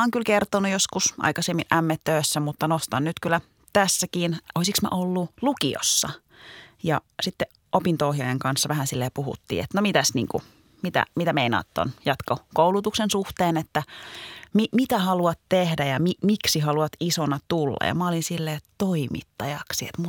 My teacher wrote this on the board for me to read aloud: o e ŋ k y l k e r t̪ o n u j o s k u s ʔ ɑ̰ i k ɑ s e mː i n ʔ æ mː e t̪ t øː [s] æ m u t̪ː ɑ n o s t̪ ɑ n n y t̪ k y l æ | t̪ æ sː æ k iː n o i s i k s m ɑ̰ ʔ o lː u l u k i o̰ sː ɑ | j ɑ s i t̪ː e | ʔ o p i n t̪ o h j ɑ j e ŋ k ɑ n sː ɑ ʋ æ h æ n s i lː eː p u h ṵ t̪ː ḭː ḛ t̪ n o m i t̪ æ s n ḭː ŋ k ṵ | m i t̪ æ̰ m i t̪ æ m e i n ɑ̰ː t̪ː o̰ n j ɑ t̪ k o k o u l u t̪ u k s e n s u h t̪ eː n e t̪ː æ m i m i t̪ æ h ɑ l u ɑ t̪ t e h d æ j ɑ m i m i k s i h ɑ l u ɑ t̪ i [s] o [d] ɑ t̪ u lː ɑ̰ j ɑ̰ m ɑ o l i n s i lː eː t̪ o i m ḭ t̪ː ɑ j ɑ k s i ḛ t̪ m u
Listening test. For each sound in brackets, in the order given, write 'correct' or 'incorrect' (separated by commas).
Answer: incorrect, correct, incorrect